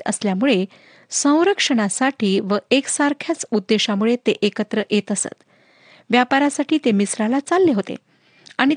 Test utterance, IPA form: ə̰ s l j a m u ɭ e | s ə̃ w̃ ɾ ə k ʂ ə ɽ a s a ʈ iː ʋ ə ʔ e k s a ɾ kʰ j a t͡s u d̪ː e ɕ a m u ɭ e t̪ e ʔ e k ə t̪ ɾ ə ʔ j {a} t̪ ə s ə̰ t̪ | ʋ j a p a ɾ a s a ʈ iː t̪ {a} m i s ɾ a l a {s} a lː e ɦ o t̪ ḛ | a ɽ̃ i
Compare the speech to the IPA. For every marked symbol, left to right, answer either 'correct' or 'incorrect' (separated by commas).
incorrect, incorrect, incorrect